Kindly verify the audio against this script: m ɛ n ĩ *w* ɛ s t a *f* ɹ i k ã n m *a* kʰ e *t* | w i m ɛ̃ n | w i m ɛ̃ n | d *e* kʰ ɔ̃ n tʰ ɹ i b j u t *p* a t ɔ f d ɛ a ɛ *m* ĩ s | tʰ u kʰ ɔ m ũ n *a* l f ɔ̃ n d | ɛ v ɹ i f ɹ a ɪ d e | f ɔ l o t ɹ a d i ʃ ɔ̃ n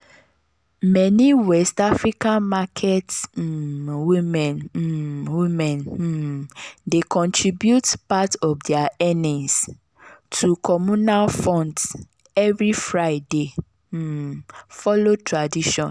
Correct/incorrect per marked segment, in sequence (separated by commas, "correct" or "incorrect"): correct, correct, correct, correct, correct, correct, incorrect, correct